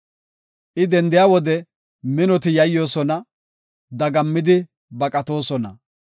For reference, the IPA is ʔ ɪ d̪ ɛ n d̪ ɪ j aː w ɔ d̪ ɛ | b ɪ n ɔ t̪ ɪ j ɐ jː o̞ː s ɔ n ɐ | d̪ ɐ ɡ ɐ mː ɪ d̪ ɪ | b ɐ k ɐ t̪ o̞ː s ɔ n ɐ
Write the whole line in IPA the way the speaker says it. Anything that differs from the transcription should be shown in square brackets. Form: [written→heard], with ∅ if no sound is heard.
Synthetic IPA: ʔ ɪ d̪ ɛ n d̪ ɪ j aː w ɔ d̪ ɛ | [b→m] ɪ n ɔ t̪ ɪ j ɐ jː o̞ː s ɔ n ɐ | d̪ ɐ ɡ ɐ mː ɪ d̪ ɪ | b ɐ [k→kʼ] ɐ t̪ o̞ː s ɔ n ɐ